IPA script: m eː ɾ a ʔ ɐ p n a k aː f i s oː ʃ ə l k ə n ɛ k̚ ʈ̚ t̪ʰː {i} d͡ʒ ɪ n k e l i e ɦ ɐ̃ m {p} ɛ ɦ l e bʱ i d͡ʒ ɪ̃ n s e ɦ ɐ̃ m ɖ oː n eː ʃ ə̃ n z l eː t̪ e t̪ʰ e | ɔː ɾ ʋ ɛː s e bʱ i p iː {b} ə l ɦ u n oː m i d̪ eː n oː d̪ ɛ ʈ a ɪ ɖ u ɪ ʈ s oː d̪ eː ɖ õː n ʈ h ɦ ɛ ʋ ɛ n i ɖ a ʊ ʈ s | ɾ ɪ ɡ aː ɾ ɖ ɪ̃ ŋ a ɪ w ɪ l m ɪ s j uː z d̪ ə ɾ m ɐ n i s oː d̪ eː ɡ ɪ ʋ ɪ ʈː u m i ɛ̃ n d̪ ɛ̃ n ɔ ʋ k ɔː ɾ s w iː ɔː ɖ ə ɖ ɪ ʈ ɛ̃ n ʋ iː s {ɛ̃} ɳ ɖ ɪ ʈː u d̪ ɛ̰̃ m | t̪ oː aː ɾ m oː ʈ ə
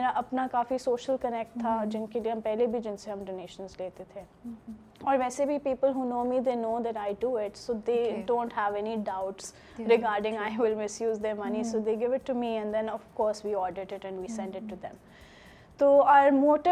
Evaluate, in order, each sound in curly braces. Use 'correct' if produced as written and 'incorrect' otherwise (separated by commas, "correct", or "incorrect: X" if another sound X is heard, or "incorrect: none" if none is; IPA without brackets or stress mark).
incorrect: a, correct, incorrect: p, correct